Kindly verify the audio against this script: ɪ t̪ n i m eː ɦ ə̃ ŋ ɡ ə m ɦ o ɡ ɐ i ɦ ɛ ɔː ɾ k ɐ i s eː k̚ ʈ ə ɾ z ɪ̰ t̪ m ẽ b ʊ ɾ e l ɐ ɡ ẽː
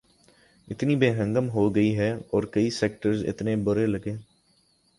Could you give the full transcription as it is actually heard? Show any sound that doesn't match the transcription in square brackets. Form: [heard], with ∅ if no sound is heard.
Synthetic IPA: ɪ t̪ n i [b] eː ɦ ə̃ ŋ ɡ ə m ɦ o ɡ ɐ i ɦ ɛ ɔː ɾ k ɐ i s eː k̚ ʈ ə ɾ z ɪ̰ t̪ [n] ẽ b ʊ ɾ e l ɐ ɡ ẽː